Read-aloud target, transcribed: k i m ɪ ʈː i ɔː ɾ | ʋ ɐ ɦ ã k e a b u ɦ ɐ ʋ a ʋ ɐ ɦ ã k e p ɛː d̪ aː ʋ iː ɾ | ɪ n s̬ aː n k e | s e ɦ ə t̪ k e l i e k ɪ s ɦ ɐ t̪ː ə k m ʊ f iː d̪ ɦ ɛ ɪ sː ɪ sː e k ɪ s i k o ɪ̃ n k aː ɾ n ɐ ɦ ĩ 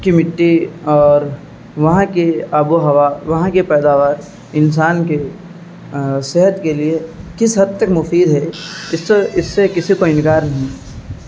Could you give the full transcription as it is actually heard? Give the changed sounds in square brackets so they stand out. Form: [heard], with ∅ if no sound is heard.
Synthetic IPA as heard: k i m ɪ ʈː i ɔː ɾ | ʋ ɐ ɦ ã k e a b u ɦ ɐ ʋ a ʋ ɐ ɦ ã k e p ɛː d̪ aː ʋ [aː] ɾ | ɪ n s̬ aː n k e | s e ɦ ə t̪ k e l i e k ɪ s ɦ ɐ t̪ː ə k m ʊ f iː d̪ ɦ ɛ ɪ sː ɪ sː e k ɪ s i k o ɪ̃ n k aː ɾ n ɐ ɦ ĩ